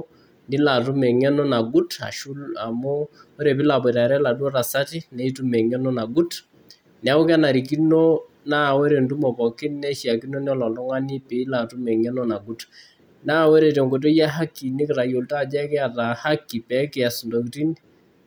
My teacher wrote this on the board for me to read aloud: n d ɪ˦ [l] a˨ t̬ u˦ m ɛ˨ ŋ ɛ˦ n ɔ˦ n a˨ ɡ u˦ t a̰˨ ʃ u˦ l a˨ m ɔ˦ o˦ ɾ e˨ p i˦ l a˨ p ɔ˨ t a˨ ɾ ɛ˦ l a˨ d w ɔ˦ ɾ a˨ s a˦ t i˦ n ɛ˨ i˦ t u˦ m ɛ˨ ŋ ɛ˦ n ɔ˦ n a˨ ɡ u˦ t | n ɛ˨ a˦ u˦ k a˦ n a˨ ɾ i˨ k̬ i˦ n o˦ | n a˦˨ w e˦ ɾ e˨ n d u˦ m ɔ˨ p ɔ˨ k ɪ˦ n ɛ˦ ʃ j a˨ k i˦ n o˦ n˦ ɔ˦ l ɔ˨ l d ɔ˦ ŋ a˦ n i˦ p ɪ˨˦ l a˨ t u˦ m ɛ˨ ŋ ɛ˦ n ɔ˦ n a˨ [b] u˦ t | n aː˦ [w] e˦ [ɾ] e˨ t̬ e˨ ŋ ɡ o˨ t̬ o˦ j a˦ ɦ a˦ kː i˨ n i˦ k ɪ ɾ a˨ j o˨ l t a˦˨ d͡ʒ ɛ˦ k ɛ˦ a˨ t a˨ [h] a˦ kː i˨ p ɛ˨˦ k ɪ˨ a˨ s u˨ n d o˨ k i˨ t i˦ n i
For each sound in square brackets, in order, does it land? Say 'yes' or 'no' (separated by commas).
yes, no, yes, yes, yes